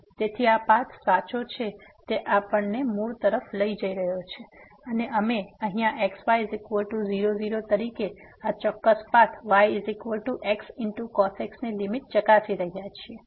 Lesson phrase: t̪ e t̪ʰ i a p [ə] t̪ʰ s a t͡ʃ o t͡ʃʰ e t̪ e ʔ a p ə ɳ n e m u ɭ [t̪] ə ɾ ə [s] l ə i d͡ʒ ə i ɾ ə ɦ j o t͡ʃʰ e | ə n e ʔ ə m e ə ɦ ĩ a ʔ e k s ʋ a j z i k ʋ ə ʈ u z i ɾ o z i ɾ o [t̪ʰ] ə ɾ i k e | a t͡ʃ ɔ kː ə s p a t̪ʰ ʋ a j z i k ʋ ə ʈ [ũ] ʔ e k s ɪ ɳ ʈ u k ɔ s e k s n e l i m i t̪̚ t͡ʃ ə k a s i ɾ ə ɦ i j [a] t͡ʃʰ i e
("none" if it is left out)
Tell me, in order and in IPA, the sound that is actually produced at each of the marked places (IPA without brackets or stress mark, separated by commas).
a, t̪, f, t̪, u, a